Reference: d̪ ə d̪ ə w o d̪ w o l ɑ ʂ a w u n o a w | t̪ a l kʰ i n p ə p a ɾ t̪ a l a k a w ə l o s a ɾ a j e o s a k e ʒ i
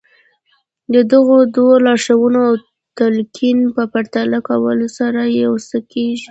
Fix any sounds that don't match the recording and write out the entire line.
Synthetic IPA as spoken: d̪ ə d̪ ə ɣ o d̪ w o l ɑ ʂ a w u n o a w | t̪ a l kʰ i n p ə p a ɾ t̪ a l a k a w ə l o s a ɾ a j e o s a k e ʒ i